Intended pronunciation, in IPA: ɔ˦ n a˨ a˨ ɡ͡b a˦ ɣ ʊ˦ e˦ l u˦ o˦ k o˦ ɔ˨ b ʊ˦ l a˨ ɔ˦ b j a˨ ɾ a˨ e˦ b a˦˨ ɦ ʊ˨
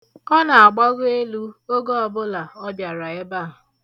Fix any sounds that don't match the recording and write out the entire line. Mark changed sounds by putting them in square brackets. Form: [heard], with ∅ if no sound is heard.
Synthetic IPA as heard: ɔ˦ n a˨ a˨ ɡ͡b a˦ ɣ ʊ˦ e˦ l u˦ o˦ [ɡ] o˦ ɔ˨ b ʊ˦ l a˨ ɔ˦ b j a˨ ɾ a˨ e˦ b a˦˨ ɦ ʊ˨

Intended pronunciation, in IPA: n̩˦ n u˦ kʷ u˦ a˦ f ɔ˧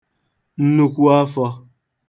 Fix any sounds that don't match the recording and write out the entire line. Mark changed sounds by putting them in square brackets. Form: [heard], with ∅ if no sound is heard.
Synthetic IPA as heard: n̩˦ n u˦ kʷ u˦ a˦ f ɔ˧

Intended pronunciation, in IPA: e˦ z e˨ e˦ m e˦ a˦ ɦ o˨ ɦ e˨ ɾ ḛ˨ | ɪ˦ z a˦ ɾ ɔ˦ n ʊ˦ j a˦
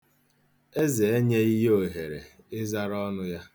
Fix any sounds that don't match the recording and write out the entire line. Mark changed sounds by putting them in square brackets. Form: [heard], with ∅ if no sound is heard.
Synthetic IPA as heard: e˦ z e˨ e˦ [ɲ] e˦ [i˦] ɦ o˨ ɦ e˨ ɾ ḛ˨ | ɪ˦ z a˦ ɾ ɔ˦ n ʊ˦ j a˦

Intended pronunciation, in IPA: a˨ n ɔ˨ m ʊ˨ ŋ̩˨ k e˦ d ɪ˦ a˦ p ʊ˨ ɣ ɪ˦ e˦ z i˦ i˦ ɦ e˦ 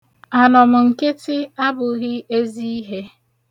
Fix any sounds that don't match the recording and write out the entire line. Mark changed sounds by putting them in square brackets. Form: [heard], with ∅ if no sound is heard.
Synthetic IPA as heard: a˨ n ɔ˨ m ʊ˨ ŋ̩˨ k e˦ [t] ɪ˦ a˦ [b] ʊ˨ ɣ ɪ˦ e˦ z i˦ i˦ ɦ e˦

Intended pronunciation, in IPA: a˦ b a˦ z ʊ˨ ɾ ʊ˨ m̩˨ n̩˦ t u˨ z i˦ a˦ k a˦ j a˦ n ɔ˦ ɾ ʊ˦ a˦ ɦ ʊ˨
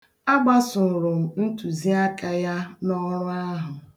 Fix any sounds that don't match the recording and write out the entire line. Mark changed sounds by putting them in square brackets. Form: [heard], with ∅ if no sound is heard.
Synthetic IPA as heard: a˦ [ɡ͡b] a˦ [s] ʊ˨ ɾ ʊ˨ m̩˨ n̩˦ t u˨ z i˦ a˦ k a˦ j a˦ n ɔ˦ ɾ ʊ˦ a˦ ɦ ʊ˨

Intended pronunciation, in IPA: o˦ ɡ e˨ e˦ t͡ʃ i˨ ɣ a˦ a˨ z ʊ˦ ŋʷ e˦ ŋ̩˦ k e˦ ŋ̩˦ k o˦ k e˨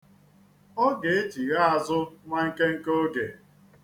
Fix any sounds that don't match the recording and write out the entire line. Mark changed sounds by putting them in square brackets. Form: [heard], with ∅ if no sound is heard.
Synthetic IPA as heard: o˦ ɡ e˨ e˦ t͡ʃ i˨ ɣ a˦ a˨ z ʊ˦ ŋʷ [a˦] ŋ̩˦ k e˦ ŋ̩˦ k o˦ [ɡ] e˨

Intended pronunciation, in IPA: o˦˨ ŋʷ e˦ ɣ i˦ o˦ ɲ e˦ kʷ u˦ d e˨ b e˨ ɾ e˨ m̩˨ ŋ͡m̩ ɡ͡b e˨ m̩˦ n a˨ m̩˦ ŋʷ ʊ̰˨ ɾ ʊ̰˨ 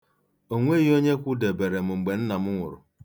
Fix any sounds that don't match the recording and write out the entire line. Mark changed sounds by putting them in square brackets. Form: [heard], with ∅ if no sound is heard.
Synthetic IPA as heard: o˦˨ ŋʷ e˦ ɣ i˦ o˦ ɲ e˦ kʷ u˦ d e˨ b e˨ ɾ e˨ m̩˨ ŋ͡m̩ ɡ͡b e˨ [n̩˦] n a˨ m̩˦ ŋʷ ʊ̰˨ ɾ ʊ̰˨

